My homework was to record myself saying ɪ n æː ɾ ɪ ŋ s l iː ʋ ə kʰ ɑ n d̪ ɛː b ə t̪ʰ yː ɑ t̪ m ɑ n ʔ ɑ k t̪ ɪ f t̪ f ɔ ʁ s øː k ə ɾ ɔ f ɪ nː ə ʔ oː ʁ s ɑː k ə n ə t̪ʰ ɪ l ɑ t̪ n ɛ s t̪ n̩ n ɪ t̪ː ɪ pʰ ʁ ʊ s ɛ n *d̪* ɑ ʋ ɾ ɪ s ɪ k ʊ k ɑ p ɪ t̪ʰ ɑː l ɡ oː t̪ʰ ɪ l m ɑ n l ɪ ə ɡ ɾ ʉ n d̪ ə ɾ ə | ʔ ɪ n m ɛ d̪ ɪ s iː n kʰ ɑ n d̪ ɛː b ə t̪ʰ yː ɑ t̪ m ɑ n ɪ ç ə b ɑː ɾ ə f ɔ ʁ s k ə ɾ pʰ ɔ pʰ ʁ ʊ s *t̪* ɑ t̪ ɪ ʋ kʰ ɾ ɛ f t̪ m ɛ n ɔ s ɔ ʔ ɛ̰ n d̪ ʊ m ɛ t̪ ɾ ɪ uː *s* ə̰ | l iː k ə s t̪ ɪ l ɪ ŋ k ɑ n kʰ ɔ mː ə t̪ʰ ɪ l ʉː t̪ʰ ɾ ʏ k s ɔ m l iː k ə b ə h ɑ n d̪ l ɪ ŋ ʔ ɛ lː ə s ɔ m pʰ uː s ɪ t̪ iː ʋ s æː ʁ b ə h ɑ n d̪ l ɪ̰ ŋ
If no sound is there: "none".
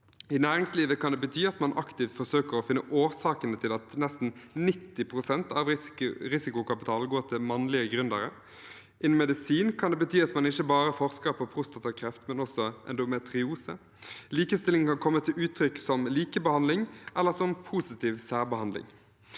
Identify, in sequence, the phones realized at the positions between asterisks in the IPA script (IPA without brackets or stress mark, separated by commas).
t̪, t̪, s